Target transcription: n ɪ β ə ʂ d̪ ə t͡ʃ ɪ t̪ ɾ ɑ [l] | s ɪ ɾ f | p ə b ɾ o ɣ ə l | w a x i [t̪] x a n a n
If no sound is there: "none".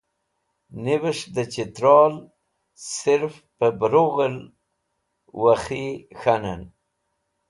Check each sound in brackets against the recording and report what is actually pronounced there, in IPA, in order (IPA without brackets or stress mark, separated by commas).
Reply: l, none